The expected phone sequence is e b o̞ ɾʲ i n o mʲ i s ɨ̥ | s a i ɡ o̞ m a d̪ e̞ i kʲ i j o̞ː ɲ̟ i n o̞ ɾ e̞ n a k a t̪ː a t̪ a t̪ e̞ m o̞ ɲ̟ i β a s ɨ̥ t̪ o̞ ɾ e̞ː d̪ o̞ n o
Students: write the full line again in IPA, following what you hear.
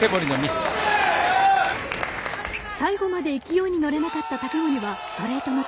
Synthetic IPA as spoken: e b o̞ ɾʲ i n o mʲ i s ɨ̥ | s a i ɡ o̞ m a d̪ e̞ i kʲ i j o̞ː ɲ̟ i n o̞ ɾ e̞ n a k a t̪ː a t̪ a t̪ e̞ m o̞ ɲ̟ i β a s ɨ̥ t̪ o̞ ɾ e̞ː t̪ o̞ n o